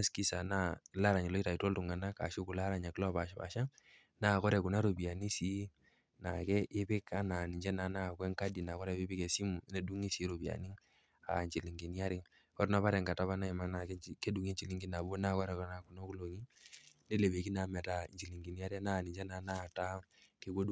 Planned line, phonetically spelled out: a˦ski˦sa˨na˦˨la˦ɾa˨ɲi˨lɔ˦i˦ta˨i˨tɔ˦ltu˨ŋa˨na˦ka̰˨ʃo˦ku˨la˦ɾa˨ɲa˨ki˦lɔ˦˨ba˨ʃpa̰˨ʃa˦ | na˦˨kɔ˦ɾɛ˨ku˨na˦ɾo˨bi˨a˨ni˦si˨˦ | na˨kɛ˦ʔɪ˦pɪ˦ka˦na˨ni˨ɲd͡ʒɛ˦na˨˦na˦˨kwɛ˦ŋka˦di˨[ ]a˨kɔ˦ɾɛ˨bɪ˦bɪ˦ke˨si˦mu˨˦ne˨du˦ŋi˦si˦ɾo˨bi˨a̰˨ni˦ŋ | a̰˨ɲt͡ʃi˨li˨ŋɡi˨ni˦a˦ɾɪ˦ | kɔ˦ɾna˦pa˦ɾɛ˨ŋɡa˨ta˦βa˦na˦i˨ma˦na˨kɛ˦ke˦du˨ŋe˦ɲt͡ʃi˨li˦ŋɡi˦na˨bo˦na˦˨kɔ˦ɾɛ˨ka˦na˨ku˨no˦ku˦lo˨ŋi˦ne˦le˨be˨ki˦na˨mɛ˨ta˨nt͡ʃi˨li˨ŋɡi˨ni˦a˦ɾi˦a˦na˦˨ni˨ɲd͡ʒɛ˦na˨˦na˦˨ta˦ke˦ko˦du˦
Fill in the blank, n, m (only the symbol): n